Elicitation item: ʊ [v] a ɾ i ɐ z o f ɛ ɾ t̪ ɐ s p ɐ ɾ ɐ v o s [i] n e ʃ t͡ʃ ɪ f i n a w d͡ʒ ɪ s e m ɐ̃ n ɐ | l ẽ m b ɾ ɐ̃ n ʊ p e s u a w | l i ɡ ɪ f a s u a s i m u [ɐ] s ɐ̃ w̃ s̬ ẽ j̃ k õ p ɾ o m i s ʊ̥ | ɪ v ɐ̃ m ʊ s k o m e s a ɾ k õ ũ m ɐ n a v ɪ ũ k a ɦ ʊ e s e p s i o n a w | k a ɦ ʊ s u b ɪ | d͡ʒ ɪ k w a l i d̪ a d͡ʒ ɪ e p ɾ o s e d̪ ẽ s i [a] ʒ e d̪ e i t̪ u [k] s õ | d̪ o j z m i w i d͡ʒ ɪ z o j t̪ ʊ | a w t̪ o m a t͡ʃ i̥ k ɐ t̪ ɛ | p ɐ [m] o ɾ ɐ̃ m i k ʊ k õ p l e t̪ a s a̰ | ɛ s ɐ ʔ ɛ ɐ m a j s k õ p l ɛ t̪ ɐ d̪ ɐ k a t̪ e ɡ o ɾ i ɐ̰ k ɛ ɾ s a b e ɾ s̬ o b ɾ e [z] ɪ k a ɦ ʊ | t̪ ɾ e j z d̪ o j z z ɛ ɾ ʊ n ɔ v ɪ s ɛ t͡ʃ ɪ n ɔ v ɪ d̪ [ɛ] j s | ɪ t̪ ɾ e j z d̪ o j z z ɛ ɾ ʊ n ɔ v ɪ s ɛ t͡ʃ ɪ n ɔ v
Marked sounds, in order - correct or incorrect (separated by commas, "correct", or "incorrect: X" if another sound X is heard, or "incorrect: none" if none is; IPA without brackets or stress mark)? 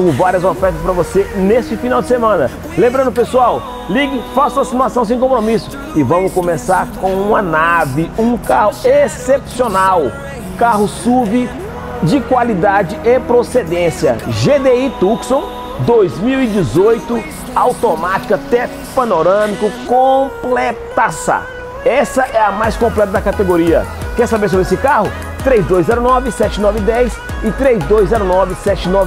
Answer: correct, incorrect: e, incorrect: a, incorrect: ɐ, correct, incorrect: n, incorrect: s, correct